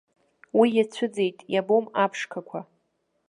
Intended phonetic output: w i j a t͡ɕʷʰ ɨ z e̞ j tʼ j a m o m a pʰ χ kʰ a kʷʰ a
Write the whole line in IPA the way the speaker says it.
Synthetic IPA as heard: w i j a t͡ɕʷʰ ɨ d͡z e̞ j tʼ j a b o m a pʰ ʂ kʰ a kʷʰ a